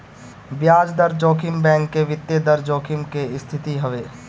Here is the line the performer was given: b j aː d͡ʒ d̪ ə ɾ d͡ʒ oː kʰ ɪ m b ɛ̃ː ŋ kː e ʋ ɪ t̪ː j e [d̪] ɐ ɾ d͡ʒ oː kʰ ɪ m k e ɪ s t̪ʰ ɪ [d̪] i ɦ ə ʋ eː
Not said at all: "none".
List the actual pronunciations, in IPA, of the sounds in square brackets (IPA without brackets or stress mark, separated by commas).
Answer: d̪, t̪